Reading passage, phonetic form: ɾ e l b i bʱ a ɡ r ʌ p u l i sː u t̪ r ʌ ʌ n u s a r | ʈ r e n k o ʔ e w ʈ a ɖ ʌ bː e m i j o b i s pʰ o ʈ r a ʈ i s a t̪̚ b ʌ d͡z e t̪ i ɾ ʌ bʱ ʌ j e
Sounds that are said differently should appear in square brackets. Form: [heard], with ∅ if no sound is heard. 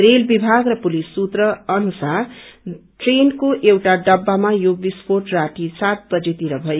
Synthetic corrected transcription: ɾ e l b i bʱ a ɡ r ʌ p u l i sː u t̪ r ʌ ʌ n u s a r | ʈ r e n k o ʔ e w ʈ a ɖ ʌ bː [a] m [a] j o b i s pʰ o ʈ r a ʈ i s a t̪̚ b ʌ d͡z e t̪ i ɾ ʌ bʱ ʌ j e